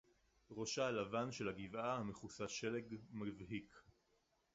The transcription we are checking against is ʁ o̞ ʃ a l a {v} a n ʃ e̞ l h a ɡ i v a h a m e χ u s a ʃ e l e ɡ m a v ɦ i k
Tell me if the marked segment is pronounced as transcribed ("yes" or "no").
yes